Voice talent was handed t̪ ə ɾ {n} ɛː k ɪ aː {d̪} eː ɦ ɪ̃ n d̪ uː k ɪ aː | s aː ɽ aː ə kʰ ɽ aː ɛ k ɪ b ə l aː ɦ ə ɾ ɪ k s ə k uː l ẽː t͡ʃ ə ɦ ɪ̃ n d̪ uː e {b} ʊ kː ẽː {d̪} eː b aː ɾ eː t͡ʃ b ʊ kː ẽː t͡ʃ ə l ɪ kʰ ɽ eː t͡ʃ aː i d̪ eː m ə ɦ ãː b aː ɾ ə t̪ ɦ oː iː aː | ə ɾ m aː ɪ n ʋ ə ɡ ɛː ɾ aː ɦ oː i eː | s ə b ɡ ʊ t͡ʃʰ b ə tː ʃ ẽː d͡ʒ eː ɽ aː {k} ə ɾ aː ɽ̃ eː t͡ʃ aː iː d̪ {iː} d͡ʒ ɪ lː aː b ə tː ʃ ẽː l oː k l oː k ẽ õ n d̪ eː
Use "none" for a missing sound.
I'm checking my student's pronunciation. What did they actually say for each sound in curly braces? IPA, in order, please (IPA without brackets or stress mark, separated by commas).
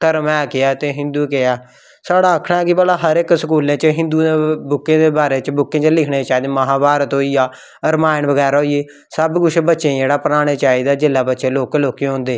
m, t̪, b, d̪, p, aː